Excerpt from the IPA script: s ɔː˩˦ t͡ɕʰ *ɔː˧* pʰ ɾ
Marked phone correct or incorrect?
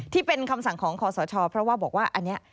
correct